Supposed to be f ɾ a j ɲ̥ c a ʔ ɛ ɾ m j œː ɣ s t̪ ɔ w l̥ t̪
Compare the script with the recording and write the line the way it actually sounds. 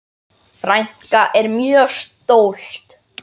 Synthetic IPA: f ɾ a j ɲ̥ k a ʔ ɛ ɾ m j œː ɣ s t̪ o w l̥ t̪